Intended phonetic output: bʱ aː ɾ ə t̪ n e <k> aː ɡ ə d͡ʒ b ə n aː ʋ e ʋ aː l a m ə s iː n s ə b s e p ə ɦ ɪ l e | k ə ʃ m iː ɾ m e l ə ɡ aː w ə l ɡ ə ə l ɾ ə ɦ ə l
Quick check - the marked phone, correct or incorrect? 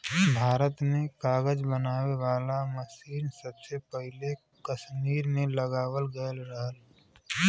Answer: correct